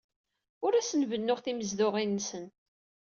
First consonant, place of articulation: alveolar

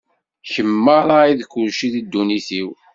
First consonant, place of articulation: palatal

